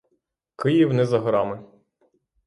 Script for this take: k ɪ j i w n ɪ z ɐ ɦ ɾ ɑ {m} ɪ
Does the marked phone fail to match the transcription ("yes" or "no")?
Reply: no